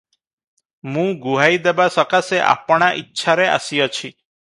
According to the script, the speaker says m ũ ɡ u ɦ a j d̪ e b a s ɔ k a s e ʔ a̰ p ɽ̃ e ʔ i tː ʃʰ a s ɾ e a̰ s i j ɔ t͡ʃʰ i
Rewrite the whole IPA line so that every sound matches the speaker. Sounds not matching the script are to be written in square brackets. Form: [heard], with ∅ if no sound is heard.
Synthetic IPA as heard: m ũ ɡ u ɦ a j d̪ e b a s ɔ k a s e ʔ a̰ p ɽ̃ [a] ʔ i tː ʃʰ a [∅] ɾ e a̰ s i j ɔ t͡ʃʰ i